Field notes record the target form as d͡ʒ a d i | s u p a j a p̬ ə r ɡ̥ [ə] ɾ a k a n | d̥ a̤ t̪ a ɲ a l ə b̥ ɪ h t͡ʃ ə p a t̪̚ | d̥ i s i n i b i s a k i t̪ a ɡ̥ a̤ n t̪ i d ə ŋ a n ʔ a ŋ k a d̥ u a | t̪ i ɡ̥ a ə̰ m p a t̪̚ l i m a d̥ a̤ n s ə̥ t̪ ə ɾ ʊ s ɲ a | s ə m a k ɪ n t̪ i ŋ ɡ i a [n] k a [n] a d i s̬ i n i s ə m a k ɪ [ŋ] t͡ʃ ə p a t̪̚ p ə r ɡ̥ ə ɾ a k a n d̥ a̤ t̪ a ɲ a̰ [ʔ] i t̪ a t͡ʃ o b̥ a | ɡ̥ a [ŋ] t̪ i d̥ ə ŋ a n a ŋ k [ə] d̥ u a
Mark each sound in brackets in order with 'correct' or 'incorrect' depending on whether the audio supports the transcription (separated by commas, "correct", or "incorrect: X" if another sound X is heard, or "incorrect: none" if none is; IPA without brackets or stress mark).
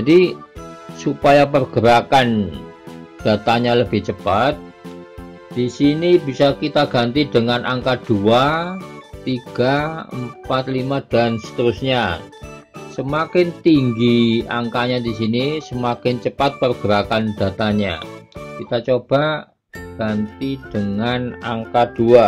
correct, incorrect: ŋ, incorrect: ɲ, incorrect: n, incorrect: k, incorrect: n, incorrect: a